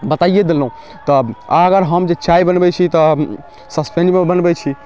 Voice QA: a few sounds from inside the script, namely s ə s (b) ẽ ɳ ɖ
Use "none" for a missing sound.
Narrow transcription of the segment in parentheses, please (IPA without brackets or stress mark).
p